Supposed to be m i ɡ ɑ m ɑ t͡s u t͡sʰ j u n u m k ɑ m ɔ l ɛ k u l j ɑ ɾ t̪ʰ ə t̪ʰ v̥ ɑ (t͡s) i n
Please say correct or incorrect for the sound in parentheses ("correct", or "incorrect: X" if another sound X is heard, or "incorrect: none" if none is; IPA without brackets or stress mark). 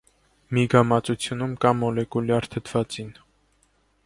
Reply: correct